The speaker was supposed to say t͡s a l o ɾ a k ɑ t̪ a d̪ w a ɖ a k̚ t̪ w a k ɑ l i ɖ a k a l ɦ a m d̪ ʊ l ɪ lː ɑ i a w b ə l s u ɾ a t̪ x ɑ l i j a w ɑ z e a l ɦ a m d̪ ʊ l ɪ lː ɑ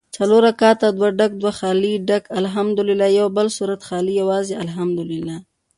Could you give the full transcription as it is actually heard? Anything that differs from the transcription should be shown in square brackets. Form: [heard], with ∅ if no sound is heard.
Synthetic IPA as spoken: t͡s a l o ɾ a k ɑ t̪ a d̪ w a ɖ a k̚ [d̪] w a [x] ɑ l i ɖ a k a l ɦ a m d̪ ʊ l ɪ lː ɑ [j] a w b ə l s u ɾ a t̪ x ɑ l i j a w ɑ z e a l ɦ a m d̪ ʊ l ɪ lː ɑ

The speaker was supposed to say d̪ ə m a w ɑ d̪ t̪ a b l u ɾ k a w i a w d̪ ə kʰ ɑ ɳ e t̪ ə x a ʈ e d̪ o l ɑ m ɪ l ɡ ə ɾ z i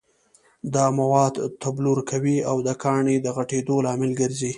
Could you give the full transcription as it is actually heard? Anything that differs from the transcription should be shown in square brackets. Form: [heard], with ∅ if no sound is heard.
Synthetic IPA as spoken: d̪ [ɑ] m a w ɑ d̪ t̪ a b l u ɾ k a w i a w d̪ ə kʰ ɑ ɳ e [d̪] ə [ɣ] a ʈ e d̪ o l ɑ m ɪ l ɡ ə ɾ z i

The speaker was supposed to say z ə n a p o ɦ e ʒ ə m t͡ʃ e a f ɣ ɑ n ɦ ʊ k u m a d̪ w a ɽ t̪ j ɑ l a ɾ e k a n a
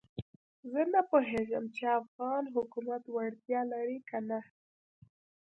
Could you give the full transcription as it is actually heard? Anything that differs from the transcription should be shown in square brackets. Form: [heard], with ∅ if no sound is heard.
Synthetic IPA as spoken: z ə n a p o ɦ e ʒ ə m t͡ʃ e a f ɣ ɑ n ɦ ʊ k u m a [t̪] w a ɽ t̪ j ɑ l a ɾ [i] k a n a

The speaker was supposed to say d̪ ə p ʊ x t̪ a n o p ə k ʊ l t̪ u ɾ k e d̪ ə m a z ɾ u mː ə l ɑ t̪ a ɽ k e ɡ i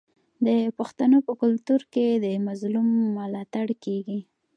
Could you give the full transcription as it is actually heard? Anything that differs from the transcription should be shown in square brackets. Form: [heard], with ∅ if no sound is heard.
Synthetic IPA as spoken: d̪ ə p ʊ x t̪ a n o p ə k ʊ l t̪ u ɾ k e d̪ ə m a z [l] u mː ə l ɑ t̪ a ɽ k e ɡ i

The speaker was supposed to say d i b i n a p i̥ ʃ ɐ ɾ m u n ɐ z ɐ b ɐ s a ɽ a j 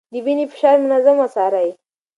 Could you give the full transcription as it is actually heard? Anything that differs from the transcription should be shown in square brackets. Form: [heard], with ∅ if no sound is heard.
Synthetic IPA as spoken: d i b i n [i] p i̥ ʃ [a] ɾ m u n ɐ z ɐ [m] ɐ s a [ɾ] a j

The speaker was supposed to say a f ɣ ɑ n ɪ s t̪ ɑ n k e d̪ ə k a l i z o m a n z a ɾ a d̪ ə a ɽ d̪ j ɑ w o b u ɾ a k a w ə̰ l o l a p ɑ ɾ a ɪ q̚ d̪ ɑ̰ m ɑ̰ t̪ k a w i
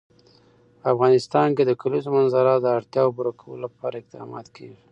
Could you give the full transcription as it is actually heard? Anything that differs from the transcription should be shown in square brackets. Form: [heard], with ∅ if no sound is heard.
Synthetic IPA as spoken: a f ɣ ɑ n ɪ s t̪ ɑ n k e d̪ ə k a l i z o m a n z a ɾ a d̪ ə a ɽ [t̪] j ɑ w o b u ɾ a k a w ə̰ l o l a p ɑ ɾ a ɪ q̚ d̪ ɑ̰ m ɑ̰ t̪ k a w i

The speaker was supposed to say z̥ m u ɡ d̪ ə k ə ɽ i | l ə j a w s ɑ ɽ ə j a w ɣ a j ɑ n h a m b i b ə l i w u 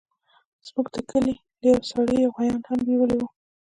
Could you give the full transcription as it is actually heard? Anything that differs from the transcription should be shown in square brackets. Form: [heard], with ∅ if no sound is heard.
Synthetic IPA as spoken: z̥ m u ɡ d̪ ə k ə [l] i | l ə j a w s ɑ ɽ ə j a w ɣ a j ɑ n h a m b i [w] ə l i w u

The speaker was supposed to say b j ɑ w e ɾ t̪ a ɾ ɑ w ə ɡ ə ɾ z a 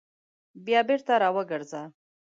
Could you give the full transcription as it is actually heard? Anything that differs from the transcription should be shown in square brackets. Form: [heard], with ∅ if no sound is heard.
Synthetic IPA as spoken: b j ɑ [b] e ɾ t̪ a ɾ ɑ w ə ɡ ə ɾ z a

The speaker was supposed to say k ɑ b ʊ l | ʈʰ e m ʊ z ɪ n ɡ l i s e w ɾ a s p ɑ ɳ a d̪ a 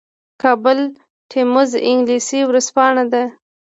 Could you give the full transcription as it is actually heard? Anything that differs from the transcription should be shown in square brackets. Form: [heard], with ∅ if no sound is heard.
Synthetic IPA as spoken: k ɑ b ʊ l | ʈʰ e m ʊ z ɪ [ŋ] ɡ l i s [i] w ɾ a s p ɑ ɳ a d̪ a

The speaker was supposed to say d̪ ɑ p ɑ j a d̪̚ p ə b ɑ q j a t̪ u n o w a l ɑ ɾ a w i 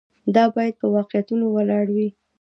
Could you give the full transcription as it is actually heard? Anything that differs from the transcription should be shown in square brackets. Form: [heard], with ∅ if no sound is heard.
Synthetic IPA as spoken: d̪ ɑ [b] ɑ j a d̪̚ p ə [w] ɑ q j a t̪ u n o w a l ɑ [ɽ] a w i

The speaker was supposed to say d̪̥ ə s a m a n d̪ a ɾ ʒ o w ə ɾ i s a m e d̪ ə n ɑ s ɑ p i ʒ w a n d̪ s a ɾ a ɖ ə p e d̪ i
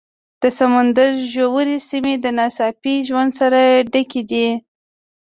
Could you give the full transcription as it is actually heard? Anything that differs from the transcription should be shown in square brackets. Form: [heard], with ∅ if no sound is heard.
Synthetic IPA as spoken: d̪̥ ə s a m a n d̪ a ɾ ʒ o w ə ɾ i s [i] m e d̪ ə n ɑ s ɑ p i ʒ w a n d̪ s a ɾ a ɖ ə [k] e d̪ i

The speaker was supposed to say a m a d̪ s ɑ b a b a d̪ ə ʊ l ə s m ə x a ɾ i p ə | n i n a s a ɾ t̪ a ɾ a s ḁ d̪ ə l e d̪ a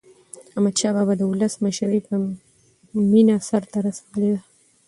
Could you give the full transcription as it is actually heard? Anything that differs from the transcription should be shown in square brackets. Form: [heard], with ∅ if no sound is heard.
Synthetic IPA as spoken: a m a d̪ [ʃ] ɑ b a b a d̪ ə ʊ l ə s m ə [ʃ] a ɾ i p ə | [m] i n a s a ɾ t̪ a ɾ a s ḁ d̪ ə l e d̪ a

